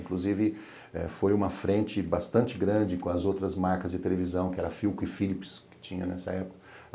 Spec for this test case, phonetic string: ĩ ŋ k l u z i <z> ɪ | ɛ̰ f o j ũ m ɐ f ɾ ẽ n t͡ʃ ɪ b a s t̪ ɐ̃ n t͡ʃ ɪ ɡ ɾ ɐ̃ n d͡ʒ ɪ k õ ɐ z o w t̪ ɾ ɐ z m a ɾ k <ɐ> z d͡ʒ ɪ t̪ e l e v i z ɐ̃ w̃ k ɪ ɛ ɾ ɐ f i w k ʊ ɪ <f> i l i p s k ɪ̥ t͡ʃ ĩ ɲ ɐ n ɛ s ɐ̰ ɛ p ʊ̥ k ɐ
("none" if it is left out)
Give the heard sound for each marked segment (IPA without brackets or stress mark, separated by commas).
v, ɐ, f